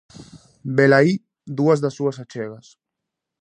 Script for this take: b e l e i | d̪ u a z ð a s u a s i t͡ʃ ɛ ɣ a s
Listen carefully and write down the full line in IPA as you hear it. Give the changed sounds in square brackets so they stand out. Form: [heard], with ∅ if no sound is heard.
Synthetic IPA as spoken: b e l [a] i | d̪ u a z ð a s u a s [a] t͡ʃ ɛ ɣ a s